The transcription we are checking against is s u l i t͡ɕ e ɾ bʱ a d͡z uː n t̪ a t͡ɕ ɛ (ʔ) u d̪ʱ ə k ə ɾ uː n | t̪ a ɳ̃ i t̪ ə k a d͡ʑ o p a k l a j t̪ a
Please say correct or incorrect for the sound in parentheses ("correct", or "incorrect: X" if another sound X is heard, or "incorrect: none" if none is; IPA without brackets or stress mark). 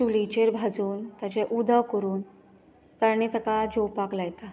correct